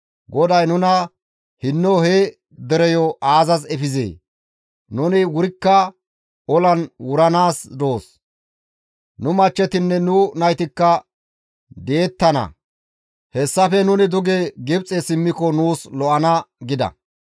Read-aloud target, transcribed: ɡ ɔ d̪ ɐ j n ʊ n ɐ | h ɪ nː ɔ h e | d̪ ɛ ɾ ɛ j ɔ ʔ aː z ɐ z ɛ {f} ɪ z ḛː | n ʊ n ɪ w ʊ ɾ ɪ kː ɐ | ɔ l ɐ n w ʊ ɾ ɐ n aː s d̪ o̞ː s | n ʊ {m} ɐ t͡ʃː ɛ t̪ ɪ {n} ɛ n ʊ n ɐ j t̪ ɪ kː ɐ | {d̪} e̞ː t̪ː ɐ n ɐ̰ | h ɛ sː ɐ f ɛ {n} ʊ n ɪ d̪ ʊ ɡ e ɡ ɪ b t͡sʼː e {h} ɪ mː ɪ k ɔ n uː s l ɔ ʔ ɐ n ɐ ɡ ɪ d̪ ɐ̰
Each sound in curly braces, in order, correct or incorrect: correct, correct, incorrect: nː, correct, correct, incorrect: s

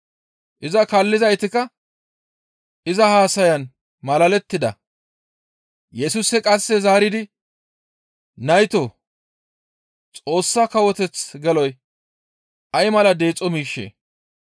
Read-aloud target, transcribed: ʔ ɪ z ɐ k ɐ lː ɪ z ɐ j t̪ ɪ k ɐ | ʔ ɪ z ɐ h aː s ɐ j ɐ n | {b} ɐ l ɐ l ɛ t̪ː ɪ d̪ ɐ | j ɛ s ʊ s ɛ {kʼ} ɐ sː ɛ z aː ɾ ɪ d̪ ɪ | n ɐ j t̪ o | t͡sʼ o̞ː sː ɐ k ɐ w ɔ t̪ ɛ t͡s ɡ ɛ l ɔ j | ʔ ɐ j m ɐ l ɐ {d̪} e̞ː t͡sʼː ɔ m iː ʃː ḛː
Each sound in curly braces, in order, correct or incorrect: incorrect: m, correct, correct

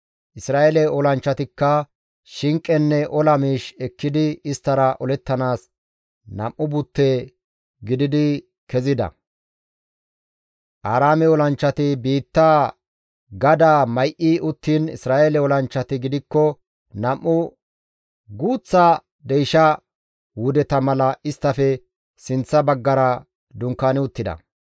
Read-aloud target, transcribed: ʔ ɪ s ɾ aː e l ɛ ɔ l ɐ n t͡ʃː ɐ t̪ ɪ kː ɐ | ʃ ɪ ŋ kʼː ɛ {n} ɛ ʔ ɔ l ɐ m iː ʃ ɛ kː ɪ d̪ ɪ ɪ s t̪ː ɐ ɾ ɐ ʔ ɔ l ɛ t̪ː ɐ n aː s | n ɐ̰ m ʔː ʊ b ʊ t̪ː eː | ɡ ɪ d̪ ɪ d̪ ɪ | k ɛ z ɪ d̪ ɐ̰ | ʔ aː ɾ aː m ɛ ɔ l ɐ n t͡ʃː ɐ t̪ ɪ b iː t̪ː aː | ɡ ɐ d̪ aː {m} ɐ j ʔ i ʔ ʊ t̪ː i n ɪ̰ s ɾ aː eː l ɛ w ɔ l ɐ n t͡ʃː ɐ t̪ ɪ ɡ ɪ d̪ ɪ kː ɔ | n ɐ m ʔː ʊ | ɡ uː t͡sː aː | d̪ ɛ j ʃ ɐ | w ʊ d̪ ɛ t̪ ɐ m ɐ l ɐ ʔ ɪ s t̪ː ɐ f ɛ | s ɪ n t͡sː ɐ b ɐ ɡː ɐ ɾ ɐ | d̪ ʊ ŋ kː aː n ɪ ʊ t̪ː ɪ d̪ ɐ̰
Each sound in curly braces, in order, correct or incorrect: incorrect: nː, correct

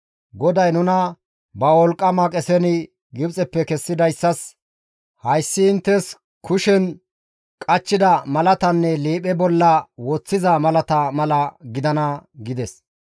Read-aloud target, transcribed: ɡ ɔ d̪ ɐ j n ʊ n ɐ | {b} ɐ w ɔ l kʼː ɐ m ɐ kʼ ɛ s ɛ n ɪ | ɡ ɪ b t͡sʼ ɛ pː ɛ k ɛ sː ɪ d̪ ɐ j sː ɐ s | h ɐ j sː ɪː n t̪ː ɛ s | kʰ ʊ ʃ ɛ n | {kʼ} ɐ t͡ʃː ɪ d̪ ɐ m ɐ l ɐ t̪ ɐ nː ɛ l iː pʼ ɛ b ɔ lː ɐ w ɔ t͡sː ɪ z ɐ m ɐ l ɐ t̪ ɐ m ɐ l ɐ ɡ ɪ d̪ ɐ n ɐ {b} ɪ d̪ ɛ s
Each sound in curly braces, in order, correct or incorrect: correct, correct, incorrect: ɡ

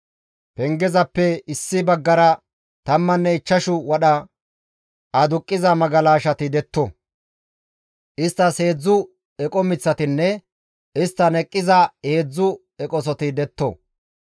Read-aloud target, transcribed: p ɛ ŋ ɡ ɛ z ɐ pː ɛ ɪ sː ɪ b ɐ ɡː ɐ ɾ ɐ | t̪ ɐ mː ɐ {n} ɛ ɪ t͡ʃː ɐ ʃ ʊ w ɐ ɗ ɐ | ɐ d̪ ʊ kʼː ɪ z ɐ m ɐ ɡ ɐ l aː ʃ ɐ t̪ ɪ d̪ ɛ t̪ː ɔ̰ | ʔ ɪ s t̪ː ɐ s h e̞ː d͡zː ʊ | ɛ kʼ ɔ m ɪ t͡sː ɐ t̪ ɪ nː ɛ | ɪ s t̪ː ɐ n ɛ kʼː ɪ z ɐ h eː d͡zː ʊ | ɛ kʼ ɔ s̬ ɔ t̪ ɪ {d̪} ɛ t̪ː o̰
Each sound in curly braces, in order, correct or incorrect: incorrect: nː, correct

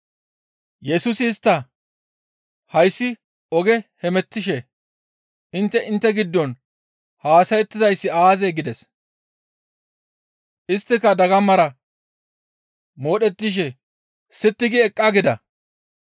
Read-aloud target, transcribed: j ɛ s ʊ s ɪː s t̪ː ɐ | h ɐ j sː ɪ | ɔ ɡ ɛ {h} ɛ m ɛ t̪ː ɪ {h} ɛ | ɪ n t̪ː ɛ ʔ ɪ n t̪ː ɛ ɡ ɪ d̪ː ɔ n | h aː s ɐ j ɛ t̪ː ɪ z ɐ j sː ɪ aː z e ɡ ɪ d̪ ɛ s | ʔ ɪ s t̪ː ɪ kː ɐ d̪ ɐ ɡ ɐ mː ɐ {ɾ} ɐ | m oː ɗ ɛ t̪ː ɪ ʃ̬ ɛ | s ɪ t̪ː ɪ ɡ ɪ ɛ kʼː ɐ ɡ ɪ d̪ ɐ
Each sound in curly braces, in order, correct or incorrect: correct, incorrect: ʃ, correct

